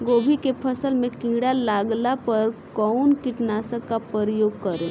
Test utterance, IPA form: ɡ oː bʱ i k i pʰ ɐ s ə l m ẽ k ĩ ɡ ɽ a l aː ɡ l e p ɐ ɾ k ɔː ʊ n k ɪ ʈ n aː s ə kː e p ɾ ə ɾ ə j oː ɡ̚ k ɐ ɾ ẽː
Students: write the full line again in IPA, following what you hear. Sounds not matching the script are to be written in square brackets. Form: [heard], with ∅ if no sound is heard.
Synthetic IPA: ɡ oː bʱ i k [e] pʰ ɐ s ə l m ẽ k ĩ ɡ ɽ a l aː ɡ l [a] p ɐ ɾ k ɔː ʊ n k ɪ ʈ n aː s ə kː [a] p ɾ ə ɾ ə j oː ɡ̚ k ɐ ɾ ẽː